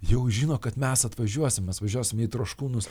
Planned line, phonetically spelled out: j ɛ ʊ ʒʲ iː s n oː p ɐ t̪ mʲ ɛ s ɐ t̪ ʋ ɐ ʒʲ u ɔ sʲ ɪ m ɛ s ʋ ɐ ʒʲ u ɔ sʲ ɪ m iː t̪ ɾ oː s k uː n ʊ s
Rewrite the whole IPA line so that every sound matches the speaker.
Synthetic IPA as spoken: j ɛ ʊ ʒʲ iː n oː k ɐ t̪ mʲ ɛ s ɐ t̪ ʋ ɐ ʒʲ u ɔ sʲ ɪ m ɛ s ʋ ɐ ʒʲ u ɔ sʲ ɪ m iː t̪ ɾ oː ʃ k uː n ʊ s